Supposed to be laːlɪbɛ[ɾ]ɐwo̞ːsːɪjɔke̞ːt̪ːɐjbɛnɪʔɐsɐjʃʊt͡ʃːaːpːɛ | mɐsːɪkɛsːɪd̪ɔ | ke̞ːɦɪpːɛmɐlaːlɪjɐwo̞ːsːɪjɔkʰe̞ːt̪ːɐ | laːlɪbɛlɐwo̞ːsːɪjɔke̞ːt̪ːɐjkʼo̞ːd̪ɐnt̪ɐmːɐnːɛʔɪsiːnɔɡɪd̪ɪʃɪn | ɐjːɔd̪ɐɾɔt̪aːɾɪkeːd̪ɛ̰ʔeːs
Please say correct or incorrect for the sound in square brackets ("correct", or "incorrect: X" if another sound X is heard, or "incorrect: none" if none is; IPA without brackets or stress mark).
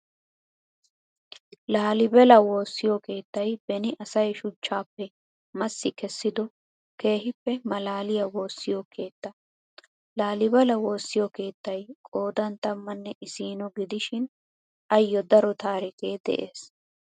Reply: incorrect: l